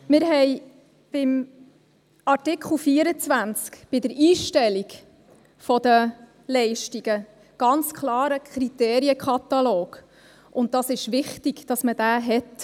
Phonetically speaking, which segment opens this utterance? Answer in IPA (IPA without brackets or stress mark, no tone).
m